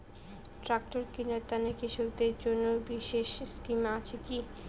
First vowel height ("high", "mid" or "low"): low